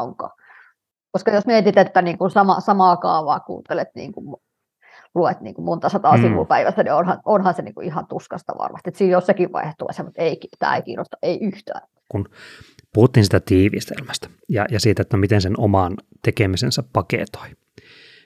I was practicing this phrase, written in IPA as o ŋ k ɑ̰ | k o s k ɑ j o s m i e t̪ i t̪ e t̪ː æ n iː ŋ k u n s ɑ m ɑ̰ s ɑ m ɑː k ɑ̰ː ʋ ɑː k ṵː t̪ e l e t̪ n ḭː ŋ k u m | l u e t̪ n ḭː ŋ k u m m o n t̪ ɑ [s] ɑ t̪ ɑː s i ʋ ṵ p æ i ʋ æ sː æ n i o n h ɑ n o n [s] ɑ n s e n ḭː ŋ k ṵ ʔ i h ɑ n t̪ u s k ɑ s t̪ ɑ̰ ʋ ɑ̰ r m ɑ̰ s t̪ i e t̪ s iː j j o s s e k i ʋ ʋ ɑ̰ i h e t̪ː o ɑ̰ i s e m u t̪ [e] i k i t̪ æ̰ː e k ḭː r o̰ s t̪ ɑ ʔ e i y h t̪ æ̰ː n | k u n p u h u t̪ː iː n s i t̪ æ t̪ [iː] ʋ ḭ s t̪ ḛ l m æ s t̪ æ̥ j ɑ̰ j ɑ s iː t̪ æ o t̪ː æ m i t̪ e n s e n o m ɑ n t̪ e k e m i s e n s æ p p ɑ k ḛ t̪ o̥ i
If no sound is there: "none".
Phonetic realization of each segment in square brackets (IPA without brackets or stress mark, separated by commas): s, h, e, iː